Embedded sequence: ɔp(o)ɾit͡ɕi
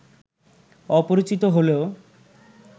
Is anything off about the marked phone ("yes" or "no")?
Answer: no